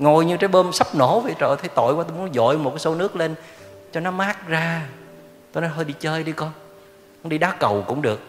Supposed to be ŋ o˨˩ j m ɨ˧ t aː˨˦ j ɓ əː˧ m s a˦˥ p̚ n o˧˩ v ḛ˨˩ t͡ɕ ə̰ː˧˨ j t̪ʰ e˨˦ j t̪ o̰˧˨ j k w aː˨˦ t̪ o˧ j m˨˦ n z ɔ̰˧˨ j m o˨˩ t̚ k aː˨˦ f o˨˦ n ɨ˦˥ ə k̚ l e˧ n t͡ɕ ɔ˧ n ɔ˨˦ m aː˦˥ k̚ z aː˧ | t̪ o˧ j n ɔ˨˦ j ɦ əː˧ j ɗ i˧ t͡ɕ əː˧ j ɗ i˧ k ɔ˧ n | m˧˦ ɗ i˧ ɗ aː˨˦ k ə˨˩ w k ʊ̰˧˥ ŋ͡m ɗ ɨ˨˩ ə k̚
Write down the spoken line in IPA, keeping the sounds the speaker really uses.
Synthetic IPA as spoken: ŋ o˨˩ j ɲ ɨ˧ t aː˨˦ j ɓ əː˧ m s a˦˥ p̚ n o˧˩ v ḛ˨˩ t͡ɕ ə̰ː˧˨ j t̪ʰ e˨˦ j t̪ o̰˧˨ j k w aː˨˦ t̪ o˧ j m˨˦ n z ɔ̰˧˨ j m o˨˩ t̚ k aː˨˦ s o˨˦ n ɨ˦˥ ə k̚ l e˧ n t͡ɕ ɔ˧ n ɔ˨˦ m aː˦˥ k̚ z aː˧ | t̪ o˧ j n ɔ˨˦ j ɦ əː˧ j ɗ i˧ t͡ɕ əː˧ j ɗ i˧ k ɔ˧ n | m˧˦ ɗ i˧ ɗ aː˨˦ k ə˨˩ w k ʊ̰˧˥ ŋ͡m ɗ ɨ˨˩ ə k̚